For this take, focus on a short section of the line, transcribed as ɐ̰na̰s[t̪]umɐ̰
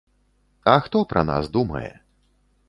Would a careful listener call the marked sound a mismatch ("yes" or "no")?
yes